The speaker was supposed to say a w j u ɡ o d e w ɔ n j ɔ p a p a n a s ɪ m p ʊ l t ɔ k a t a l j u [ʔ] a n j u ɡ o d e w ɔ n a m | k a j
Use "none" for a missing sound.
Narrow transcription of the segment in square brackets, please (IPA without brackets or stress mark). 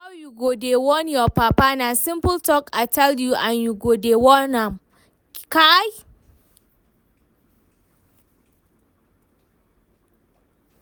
ʔ